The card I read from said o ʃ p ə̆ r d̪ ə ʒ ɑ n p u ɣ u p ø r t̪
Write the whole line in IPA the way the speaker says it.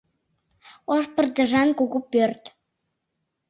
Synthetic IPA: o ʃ p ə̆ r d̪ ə ʒ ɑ n k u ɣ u p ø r t̪